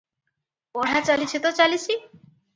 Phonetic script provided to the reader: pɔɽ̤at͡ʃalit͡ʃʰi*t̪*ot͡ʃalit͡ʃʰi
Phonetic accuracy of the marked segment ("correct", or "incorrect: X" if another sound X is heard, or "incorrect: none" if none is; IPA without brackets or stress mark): correct